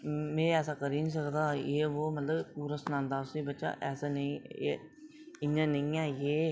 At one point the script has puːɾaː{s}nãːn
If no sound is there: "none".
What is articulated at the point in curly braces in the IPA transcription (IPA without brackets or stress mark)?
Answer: s